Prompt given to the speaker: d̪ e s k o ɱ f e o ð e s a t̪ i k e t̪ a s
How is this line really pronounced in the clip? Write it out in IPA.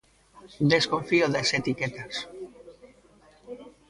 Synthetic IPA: d̪ e s k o ɱ f i o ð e s e t̪ i k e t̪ a s